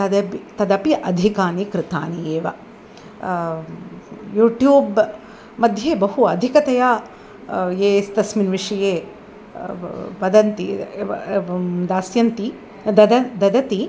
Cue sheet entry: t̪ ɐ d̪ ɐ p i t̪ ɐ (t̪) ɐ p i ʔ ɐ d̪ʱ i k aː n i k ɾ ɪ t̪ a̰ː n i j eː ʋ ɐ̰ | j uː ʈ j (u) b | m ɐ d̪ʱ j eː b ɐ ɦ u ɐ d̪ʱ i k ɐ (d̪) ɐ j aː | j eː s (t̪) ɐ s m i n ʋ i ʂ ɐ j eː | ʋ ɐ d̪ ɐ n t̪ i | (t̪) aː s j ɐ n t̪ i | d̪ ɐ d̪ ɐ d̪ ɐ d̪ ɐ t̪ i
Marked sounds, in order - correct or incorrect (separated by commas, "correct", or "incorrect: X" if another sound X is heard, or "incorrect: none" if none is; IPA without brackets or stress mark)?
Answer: incorrect: d̪, incorrect: uː, incorrect: t̪, correct, incorrect: d̪